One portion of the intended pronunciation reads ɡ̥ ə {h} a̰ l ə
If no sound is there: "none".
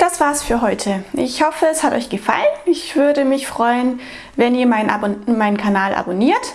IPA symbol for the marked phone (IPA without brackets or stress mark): f